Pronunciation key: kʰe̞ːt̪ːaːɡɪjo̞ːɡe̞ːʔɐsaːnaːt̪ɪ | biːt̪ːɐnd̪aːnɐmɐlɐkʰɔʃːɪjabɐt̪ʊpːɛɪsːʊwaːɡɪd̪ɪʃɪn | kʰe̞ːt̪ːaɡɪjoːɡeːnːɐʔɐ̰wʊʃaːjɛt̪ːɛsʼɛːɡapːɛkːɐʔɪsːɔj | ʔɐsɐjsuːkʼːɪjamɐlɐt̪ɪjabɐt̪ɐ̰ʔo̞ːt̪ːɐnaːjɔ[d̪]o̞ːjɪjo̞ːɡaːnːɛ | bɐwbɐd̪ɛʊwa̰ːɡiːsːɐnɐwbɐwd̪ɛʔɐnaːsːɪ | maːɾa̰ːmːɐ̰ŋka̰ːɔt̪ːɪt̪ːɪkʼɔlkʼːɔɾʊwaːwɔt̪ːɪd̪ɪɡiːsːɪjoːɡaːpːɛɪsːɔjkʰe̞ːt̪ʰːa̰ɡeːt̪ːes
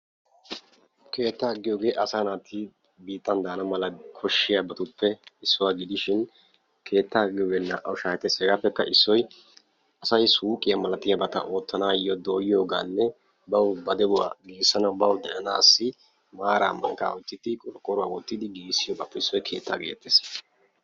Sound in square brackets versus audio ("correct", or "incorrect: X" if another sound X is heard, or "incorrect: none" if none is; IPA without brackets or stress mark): correct